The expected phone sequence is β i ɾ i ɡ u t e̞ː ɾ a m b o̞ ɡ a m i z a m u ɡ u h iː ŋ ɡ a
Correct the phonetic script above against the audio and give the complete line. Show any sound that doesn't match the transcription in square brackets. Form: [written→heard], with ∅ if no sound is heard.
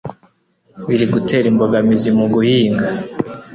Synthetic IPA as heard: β i ɾ i ɡ u t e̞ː ɾ [a→i] m b o̞ ɡ a m i z [a→i] m u ɡ u h iː ŋ ɡ a